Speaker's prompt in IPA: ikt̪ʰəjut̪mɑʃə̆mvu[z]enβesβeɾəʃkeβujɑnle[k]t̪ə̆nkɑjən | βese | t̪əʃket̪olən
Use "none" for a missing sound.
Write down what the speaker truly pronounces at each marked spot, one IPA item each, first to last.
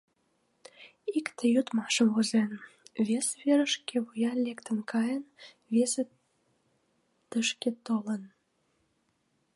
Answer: z, k

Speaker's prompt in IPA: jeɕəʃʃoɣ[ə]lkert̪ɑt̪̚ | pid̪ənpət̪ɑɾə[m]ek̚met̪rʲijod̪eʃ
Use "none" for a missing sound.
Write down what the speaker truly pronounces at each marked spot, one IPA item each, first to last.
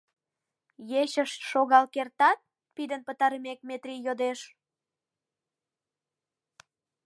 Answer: ɑ, m

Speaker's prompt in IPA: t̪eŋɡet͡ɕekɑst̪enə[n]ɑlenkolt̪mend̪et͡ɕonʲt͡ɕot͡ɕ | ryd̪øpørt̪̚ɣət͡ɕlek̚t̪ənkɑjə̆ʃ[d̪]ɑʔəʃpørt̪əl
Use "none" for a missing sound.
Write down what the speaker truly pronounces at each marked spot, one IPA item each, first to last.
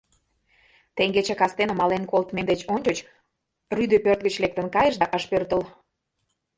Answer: m, d̪

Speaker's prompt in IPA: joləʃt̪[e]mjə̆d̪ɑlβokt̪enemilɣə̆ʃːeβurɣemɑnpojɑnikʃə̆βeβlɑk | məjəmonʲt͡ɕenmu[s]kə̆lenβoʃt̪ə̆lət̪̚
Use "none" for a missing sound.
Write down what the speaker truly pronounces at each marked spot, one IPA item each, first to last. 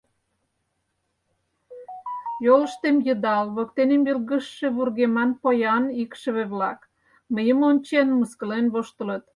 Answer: e, s

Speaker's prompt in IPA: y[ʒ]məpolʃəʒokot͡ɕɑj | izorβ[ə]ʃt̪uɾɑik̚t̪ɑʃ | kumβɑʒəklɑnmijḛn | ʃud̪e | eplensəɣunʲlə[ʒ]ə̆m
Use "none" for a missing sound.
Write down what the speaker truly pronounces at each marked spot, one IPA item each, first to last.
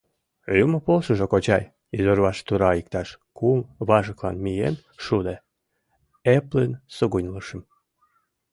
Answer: none, ɑ, ʃ

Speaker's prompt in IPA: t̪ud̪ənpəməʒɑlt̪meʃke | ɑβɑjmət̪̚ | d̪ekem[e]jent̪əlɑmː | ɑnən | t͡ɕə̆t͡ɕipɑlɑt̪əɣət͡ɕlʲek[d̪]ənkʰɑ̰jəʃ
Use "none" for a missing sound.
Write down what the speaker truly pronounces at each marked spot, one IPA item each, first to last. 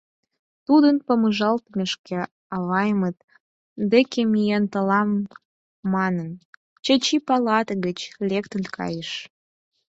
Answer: i, t̪

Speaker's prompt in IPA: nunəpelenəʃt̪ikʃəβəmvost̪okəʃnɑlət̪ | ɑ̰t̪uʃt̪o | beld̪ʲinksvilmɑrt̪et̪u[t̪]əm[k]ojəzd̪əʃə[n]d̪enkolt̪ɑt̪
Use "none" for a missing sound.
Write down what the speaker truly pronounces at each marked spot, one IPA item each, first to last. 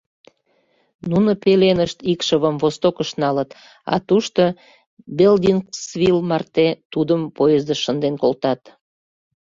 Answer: d̪, p, n

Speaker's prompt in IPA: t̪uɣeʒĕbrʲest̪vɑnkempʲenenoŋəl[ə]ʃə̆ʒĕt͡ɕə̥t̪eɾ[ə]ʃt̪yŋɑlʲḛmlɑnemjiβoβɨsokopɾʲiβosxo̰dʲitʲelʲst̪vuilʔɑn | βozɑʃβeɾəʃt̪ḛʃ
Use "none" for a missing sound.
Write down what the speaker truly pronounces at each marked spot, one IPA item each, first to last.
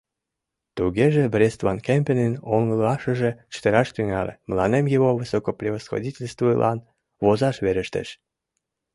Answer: ɑ, ɑ

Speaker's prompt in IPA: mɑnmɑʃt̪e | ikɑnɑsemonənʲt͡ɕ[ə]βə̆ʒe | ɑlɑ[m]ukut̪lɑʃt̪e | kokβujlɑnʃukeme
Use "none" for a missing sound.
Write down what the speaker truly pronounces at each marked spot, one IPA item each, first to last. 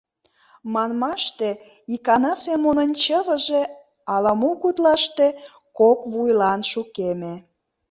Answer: ə, m

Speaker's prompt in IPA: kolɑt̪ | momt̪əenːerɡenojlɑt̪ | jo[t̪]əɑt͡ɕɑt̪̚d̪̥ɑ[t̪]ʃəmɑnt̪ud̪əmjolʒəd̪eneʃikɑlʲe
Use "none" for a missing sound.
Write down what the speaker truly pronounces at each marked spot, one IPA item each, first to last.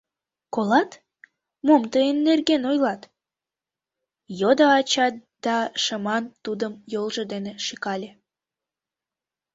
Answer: d̪, none

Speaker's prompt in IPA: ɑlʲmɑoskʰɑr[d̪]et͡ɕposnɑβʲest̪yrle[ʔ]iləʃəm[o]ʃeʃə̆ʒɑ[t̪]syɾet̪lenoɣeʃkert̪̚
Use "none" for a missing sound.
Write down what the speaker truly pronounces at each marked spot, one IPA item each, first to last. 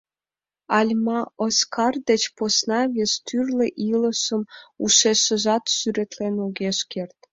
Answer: d̪, ʔ, u, t̪

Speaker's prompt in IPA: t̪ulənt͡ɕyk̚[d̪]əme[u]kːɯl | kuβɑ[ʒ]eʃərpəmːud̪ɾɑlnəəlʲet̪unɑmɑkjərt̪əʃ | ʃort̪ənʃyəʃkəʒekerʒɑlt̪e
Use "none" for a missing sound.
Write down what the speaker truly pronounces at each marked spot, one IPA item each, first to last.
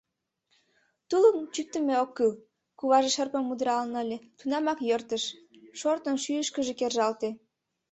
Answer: t̪, o, ʒ

